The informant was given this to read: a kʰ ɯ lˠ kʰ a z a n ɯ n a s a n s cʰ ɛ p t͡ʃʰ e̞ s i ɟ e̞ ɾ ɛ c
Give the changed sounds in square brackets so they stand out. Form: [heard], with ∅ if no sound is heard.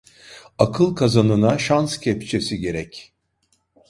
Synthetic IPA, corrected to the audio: a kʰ ɯ lˠ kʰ a z a n ɯ n a [ʃ] a n s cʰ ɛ p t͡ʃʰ e̞ s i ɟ e̞ ɾ ɛ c